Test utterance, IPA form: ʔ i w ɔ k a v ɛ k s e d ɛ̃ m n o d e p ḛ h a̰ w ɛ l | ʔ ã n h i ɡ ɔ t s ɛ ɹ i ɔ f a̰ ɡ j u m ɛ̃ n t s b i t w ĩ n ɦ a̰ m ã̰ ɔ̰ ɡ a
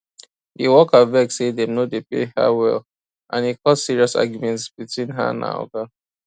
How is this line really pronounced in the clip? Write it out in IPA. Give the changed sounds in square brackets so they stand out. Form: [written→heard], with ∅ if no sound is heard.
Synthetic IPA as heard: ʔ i w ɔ k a v ɛ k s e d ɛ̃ m n o d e p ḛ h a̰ w ɛ l | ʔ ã n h i [ɡ→k] ɔ t s [ɛ→i] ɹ i ɔ [f→s] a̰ ɡ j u m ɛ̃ n t s b i t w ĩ n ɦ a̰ [m→n] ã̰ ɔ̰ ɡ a